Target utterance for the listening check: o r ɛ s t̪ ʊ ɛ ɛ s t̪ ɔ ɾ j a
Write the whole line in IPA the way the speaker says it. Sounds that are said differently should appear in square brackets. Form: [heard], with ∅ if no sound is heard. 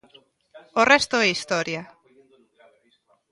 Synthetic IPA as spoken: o r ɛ s t̪ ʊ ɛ [i] s t̪ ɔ ɾ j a